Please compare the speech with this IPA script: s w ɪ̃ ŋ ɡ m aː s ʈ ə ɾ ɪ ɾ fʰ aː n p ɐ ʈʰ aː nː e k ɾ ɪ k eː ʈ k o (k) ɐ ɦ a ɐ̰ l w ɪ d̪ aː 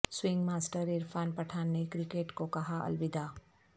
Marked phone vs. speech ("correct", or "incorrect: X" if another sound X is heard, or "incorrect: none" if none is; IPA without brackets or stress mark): correct